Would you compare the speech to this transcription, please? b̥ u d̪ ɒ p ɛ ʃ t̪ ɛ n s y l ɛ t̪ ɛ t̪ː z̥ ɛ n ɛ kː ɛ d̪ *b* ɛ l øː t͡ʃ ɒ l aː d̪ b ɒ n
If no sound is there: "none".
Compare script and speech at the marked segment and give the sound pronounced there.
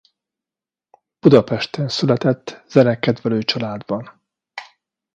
v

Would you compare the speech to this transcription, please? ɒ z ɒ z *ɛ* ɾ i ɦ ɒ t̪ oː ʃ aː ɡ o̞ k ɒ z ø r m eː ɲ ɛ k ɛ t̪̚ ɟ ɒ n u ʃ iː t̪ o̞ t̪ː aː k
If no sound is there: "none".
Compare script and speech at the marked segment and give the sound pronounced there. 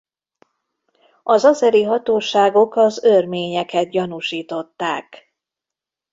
ɛ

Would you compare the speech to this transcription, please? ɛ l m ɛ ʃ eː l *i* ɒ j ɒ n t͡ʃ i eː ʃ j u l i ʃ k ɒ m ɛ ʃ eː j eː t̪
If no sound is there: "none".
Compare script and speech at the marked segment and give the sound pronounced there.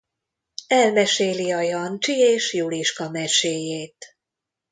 i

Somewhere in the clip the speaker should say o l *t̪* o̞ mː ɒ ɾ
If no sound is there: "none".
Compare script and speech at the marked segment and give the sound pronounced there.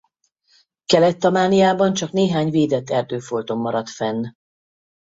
t̪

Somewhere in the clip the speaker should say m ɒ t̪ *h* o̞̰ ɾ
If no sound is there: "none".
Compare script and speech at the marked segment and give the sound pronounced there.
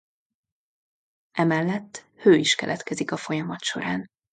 ʃ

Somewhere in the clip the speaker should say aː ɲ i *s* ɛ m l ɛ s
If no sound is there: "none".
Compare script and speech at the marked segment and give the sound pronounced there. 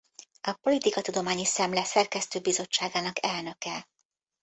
s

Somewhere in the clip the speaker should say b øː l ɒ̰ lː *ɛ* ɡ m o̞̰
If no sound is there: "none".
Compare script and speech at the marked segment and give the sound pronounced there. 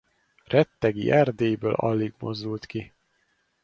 i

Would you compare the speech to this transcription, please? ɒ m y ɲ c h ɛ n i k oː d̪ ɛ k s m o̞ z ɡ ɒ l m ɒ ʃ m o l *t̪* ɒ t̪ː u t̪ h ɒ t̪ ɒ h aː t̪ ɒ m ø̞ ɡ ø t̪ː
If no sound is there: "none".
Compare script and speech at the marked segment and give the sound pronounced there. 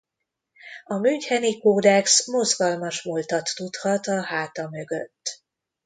t̪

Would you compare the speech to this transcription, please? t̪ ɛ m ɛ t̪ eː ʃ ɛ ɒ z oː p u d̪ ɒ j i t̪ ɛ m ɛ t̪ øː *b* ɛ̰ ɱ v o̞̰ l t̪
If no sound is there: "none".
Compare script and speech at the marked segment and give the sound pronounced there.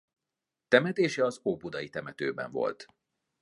b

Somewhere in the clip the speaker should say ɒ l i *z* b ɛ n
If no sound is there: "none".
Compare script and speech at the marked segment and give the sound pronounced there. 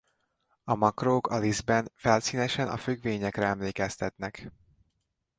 z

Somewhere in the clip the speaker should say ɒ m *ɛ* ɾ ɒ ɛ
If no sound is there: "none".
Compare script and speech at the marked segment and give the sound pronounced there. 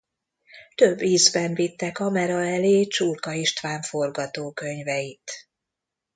ɛ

